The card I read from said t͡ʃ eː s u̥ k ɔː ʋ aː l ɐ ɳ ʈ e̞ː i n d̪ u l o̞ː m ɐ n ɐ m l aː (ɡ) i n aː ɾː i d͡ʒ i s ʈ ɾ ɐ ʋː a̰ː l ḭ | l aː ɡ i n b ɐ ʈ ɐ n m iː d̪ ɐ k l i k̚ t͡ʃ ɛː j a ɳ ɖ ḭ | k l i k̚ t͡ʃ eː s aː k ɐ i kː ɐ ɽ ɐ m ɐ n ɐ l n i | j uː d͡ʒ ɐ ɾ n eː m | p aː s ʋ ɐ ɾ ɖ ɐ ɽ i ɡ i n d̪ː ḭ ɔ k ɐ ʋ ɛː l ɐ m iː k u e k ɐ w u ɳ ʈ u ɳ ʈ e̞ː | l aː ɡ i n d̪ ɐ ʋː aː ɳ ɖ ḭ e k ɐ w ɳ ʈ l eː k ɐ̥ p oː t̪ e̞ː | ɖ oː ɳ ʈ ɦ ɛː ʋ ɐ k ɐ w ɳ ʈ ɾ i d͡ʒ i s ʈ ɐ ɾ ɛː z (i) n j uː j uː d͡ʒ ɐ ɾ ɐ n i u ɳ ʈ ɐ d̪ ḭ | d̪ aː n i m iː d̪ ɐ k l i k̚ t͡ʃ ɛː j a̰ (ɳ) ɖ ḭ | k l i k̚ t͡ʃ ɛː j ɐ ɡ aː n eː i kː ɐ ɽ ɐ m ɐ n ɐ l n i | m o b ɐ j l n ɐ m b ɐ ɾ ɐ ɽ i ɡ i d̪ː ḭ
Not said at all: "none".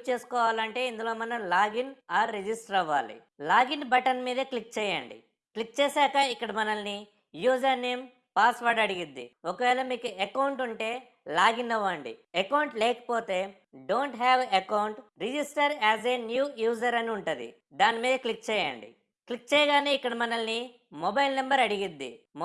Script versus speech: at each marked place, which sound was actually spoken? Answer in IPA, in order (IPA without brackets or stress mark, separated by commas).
ɡ, e, ɳ